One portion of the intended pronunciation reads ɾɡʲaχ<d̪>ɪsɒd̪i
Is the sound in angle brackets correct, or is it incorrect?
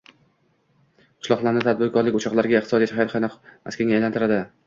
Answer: incorrect: t̪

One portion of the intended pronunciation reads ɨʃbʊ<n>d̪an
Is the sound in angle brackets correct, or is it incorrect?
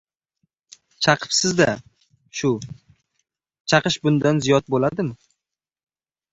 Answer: correct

